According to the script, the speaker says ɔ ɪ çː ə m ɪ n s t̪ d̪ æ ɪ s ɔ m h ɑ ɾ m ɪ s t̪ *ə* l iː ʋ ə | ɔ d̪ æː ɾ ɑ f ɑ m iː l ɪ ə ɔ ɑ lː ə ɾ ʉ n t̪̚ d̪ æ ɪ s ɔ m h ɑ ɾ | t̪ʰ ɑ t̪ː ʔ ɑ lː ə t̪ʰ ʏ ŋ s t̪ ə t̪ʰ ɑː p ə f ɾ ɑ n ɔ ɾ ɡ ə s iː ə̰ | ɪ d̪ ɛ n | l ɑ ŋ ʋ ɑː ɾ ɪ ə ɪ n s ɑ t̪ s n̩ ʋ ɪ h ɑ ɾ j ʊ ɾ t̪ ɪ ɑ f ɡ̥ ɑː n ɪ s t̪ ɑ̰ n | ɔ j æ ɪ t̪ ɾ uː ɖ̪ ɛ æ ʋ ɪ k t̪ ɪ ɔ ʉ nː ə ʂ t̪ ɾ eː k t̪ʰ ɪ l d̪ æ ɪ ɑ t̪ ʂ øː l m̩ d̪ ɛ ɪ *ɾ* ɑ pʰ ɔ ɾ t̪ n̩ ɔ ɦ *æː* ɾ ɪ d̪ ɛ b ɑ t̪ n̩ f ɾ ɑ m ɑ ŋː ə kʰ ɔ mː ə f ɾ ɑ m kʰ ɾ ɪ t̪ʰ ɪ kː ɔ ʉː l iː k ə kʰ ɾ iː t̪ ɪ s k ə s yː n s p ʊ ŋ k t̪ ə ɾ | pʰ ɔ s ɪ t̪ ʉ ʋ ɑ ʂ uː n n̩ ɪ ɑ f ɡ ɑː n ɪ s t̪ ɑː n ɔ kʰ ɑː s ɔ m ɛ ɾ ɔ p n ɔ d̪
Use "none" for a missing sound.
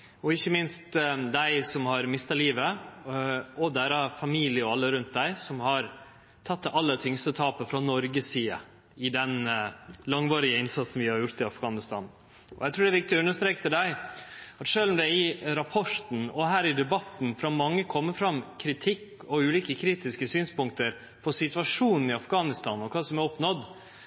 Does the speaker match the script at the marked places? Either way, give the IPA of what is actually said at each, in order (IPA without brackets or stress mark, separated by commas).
ɑ, ɾ, æː